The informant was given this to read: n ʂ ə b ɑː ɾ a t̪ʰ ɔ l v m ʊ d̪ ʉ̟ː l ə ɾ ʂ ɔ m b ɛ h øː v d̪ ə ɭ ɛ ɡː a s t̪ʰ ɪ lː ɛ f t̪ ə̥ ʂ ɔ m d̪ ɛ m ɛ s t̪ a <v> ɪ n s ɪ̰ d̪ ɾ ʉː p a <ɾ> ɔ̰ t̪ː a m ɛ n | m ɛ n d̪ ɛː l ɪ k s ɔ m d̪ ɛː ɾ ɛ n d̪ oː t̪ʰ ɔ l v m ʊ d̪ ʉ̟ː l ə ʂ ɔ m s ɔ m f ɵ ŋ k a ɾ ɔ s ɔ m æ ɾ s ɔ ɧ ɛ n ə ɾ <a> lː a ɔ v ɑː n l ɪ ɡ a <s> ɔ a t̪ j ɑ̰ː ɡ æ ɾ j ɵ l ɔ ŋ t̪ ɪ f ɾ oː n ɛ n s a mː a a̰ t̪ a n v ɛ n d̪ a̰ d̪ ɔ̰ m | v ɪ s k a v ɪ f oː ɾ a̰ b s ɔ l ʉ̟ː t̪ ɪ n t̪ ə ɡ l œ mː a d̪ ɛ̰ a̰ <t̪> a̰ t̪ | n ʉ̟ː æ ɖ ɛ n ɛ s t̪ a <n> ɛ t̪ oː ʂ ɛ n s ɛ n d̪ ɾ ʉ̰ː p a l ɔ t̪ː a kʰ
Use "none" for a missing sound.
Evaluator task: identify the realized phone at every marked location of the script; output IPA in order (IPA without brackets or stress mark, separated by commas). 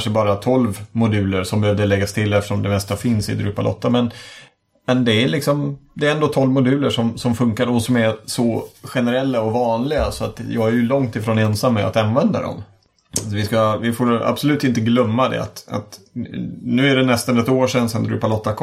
f, l, ɛ, s, t̪, n